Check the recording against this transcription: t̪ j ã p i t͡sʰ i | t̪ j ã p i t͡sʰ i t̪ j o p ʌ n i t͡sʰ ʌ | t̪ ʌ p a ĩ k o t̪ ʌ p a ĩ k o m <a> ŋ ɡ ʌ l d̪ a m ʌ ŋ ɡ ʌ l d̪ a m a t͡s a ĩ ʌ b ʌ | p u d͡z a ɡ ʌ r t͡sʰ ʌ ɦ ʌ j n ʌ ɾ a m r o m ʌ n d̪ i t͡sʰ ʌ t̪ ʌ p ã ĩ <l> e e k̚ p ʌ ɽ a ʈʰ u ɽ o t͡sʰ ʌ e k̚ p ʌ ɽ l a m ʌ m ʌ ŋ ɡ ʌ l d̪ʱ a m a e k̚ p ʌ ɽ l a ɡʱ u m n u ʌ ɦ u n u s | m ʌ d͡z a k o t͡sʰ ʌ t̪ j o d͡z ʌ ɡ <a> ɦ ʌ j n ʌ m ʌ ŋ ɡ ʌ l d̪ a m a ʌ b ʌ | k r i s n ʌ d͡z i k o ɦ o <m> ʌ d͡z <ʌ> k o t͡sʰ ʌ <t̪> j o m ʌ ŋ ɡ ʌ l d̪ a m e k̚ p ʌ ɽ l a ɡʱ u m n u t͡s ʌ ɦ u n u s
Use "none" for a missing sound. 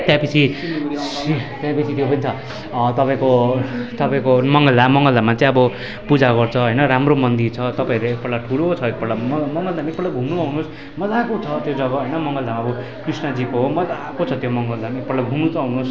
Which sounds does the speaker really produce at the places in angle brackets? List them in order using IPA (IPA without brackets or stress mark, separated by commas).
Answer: ʌ, ɾ, ʌ, m, a, t̪